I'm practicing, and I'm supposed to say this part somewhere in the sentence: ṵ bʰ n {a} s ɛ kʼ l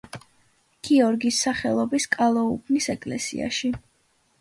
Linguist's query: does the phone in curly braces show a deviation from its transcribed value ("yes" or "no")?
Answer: yes